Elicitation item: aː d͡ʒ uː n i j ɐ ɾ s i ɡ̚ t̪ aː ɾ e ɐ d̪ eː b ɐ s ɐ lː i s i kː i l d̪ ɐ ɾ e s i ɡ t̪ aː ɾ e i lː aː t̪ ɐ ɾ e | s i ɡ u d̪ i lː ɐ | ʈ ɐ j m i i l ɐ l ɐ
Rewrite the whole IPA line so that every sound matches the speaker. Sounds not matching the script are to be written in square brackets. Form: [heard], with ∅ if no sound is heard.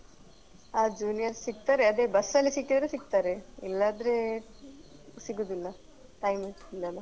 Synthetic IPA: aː d͡ʒ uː n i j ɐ ɾ s i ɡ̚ t̪ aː ɾ e ɐ d̪ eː b ɐ s ɐ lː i s i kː i [∅] d̪ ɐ ɾ e s i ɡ t̪ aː ɾ e i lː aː [d̪] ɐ ɾ e | s i ɡ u d̪ i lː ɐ | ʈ ɐ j m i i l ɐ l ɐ